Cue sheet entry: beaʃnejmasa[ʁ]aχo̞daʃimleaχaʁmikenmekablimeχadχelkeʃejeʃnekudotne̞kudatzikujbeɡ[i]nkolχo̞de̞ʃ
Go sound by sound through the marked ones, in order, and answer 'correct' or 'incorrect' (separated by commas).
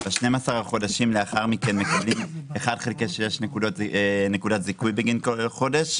correct, correct